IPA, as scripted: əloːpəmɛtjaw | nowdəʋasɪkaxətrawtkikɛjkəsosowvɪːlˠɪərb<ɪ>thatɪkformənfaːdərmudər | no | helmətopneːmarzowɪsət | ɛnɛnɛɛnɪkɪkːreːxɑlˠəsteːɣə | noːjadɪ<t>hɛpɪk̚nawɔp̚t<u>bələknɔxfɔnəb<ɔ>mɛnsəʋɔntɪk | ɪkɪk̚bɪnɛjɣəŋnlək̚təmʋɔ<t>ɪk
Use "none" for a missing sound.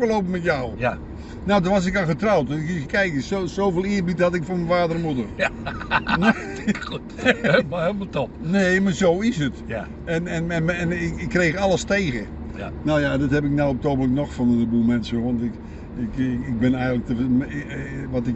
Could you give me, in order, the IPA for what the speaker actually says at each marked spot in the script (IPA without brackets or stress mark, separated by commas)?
i, t, o, u, t